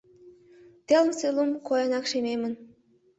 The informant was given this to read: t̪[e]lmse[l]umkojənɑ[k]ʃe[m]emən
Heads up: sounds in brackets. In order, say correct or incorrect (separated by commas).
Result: correct, correct, correct, correct